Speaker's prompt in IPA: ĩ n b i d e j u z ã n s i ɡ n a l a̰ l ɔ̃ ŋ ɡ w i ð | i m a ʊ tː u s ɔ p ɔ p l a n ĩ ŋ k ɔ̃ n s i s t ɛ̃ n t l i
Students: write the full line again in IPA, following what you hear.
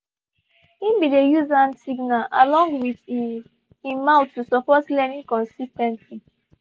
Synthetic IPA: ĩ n b i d e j u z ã n s i ɡ n a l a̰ l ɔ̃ ŋ ɡ w i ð | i m a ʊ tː u s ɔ p ɔ t l ɛ n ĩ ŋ k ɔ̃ n s i s t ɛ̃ n t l i